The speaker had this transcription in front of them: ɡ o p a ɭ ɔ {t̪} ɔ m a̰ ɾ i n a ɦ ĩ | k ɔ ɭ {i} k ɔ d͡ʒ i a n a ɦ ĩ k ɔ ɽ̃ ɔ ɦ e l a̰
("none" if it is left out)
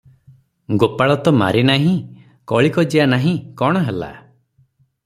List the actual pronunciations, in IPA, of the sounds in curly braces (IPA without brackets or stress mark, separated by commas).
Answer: t̪, i